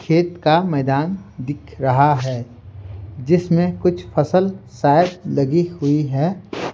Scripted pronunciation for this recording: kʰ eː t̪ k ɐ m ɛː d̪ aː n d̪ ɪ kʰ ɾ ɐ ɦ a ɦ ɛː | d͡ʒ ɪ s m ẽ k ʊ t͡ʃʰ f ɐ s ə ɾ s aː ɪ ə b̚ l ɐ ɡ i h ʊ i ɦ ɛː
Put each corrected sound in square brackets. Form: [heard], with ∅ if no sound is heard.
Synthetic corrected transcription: kʰ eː t̪ k [a] m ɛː d̪ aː n d̪ ɪ kʰ ɾ ɐ ɦ a ɦ ɛː | d͡ʒ ɪ s m ẽ k ʊ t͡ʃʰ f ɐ s ə [l] s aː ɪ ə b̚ l ɐ ɡ i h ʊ i ɦ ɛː